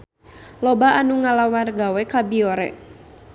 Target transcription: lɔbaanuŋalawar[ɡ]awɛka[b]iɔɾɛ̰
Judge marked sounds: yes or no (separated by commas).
yes, yes